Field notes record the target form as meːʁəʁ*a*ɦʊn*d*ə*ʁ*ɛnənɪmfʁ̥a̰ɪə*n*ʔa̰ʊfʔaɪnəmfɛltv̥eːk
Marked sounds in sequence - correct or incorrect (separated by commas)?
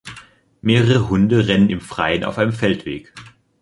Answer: incorrect, correct, correct, correct